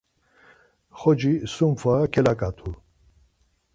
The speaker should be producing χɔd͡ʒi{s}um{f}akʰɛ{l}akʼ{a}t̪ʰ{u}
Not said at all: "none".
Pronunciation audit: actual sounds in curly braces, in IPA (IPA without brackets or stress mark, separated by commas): s, f, l, a, u